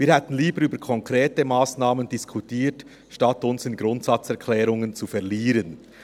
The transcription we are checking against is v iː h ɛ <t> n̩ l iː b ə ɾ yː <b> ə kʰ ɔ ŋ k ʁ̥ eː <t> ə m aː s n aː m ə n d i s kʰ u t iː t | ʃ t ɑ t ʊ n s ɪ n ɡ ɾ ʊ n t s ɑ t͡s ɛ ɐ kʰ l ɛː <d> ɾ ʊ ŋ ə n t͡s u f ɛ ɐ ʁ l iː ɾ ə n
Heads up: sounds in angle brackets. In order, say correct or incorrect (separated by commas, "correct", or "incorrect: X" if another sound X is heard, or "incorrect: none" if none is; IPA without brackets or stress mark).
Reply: correct, correct, correct, incorrect: none